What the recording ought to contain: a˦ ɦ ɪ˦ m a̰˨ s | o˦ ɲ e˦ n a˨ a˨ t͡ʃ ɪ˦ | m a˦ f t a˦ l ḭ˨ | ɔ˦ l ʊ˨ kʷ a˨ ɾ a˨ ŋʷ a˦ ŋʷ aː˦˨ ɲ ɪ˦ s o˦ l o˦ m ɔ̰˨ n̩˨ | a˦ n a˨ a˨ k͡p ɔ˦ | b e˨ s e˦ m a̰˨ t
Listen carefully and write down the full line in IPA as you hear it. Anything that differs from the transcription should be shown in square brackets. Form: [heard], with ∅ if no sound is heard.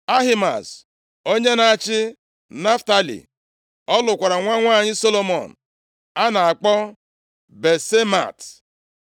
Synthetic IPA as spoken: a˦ ɦ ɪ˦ m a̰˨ s | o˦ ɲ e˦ n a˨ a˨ t͡ʃ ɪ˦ | [n] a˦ f t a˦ l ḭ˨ | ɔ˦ l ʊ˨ kʷ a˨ ɾ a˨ ŋʷ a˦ ŋʷ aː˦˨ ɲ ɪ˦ s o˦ l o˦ m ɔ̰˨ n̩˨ | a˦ n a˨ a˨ k͡p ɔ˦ | b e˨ s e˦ m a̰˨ t